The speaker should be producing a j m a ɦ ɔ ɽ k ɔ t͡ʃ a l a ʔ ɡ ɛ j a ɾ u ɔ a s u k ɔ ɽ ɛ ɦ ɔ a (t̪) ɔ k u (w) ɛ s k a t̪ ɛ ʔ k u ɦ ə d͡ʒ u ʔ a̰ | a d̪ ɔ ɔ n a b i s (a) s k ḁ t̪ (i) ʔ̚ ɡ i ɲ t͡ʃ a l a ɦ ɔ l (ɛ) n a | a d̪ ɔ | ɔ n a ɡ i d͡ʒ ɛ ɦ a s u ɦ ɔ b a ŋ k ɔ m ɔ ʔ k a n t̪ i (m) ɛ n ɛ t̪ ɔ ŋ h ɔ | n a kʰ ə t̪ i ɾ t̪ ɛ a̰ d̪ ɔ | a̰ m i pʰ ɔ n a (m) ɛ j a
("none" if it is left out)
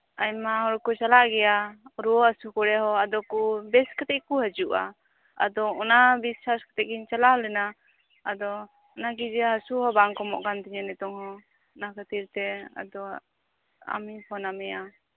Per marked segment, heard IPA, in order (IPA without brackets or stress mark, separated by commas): d̪, b, a, ɛ, ɛ, ɲ, m